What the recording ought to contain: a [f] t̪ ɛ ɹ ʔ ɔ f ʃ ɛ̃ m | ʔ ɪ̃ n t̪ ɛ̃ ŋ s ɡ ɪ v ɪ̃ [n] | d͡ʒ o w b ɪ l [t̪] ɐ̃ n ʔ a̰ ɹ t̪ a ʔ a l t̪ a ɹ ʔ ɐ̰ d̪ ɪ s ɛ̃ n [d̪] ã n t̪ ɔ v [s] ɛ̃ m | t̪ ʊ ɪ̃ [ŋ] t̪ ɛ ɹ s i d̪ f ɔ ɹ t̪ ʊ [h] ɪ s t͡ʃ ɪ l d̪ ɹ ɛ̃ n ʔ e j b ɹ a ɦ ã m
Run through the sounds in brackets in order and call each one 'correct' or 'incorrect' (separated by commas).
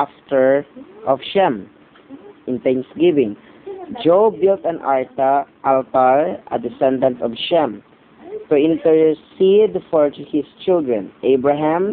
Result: correct, incorrect, correct, correct, incorrect, incorrect, correct